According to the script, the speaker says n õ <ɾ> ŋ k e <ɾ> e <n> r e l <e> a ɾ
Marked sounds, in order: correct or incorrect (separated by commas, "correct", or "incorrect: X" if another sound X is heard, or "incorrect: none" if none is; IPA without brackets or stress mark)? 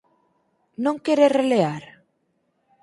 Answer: incorrect: none, correct, incorrect: none, correct